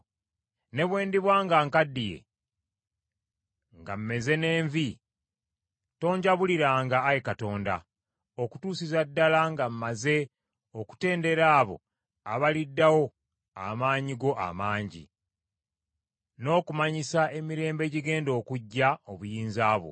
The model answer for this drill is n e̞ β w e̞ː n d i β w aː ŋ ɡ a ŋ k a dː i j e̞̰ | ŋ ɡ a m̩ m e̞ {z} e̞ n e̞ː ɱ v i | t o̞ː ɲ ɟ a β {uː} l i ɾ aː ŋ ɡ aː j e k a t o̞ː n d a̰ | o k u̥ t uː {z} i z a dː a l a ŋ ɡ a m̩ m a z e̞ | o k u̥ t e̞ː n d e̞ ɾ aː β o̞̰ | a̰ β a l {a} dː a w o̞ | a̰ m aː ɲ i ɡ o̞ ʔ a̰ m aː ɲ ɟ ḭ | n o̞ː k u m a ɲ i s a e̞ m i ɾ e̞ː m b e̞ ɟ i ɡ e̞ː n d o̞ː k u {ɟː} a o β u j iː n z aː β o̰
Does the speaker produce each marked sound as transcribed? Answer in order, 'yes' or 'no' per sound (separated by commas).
yes, no, no, no, yes